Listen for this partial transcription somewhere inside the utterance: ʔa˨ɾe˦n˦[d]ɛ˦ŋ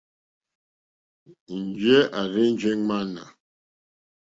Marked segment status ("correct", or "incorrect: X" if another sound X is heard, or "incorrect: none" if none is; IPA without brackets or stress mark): incorrect: d͡ʒ